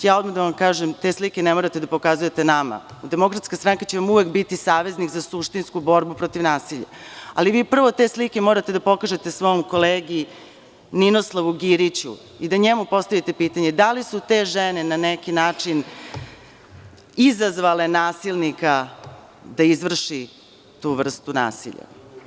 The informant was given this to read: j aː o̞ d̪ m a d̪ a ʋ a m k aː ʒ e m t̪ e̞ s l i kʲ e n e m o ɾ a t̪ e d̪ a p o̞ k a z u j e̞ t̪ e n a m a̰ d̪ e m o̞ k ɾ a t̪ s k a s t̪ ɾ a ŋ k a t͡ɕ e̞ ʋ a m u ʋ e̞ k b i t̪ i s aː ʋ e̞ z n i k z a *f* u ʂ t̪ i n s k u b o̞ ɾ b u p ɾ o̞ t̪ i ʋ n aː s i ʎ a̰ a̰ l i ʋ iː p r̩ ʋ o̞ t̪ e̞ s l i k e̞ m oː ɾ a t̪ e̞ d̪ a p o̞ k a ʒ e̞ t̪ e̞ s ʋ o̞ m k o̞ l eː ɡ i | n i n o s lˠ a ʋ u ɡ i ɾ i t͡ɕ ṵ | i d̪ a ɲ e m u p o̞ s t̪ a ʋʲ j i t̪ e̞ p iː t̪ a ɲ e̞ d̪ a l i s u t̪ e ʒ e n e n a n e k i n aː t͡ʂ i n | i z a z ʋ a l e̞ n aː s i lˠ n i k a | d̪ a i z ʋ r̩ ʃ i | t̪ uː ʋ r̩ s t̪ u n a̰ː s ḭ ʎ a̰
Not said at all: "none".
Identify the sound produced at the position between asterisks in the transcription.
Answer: s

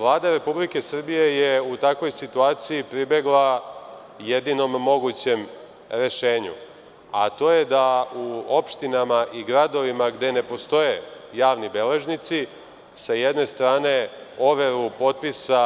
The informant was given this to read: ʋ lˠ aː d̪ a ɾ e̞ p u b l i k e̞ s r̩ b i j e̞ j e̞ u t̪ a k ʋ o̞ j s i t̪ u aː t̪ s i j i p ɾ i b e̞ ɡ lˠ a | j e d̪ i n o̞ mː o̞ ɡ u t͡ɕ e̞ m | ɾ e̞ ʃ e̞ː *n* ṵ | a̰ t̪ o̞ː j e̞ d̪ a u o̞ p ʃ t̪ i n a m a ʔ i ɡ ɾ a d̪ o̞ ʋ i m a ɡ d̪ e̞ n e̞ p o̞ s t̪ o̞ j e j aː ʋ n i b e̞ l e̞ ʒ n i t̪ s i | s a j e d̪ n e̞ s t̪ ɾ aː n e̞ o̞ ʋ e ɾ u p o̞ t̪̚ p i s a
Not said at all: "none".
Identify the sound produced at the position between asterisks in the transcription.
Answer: ɲ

